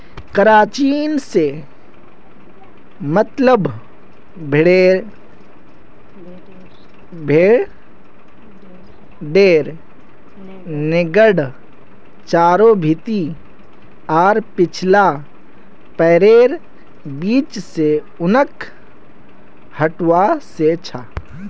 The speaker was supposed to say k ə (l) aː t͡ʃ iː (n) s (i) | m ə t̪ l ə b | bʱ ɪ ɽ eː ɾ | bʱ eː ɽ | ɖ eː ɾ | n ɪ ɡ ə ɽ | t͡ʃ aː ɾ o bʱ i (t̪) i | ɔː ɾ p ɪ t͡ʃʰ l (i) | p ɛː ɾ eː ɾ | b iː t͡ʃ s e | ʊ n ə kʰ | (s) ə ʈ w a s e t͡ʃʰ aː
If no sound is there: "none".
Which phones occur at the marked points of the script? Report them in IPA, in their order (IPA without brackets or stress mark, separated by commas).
ɾ, n, e, t̪, a, h